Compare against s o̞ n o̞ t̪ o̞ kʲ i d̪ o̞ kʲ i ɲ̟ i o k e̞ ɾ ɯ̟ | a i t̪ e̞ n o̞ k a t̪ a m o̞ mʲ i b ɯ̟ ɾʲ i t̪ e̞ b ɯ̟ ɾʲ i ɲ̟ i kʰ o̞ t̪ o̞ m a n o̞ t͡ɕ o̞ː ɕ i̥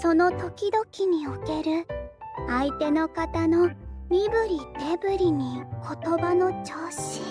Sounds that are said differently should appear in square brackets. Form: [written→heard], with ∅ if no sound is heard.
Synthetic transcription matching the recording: s o̞ n o̞ t̪ o̞ kʲ i d̪ o̞ kʲ i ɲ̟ i o k e̞ ɾ ɯ̟ | a i t̪ e̞ n o̞ k a t̪ a [m→n] o̞ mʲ i b ɯ̟ ɾʲ i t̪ e̞ b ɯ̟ ɾʲ i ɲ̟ i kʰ o̞ t̪ o̞ [m→b] a n o̞ t͡ɕ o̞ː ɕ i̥